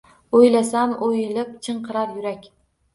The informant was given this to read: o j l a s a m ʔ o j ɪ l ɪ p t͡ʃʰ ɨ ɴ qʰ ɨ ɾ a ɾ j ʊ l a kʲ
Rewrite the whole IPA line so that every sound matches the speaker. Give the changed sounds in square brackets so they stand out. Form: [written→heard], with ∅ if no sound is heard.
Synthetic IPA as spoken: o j l a s a m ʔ o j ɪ l ɪ p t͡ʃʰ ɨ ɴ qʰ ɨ ɾ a ɾ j ʊ [l→ɾ] a kʲ